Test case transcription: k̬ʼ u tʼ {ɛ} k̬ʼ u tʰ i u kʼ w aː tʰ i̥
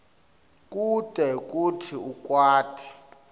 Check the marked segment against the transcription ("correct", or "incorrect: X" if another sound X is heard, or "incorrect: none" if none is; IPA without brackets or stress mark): correct